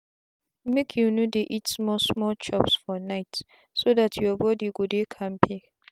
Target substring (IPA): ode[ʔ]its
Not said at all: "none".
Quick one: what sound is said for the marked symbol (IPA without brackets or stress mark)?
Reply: ʔ